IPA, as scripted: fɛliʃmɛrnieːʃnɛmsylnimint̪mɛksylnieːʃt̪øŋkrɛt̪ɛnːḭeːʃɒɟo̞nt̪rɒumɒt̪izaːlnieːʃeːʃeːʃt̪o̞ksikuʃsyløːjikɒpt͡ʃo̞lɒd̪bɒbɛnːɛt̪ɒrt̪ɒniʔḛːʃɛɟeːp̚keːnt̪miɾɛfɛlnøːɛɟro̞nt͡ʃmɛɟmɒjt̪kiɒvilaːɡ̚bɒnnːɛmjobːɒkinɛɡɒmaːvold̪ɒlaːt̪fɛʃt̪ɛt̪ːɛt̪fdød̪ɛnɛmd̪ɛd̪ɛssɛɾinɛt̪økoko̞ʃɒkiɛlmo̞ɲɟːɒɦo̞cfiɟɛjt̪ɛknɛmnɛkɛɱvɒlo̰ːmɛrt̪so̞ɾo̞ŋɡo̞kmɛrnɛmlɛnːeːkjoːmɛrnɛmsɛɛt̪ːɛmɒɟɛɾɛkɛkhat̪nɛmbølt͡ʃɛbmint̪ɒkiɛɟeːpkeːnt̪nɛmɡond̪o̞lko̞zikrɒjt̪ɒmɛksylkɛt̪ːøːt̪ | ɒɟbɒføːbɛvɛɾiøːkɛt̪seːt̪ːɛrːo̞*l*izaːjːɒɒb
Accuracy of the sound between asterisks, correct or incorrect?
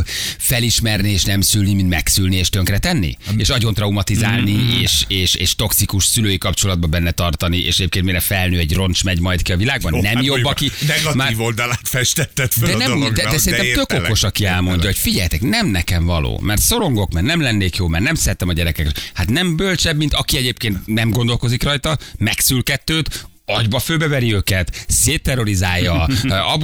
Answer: incorrect